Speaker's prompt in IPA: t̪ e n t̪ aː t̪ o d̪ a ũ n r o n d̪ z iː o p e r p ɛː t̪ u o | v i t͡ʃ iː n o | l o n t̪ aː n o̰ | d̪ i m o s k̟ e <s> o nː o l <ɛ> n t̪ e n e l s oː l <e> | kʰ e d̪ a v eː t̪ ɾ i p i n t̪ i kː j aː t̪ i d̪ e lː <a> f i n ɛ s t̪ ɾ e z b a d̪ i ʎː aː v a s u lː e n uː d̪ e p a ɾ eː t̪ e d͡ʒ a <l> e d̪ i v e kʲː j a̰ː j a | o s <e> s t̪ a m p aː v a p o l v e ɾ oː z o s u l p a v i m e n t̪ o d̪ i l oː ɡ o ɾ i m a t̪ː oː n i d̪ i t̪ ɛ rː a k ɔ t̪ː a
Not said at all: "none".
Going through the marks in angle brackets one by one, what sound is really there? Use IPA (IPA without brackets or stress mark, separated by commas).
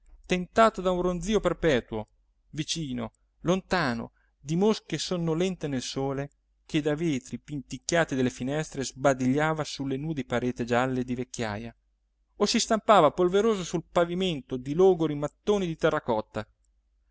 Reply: s, ɛ, e, e, lː, i